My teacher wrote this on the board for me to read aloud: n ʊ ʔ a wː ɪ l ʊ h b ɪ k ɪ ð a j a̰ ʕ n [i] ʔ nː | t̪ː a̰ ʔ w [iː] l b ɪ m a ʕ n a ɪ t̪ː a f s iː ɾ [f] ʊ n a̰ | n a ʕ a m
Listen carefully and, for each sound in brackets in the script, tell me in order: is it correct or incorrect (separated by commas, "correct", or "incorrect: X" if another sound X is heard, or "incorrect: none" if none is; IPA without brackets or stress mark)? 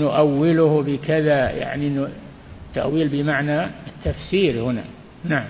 correct, correct, incorrect: h